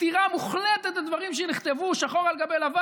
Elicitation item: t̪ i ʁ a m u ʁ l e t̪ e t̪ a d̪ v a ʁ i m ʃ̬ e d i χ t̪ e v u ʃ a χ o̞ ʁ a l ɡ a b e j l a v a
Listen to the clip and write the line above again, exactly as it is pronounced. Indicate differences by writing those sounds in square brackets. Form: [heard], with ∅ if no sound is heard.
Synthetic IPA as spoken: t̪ i ʁ a m u [χ] l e t̪ e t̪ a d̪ v a ʁ i m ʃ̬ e [n] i χ t̪ e v u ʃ a χ o̞ ʁ a l ɡ a b e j l a v a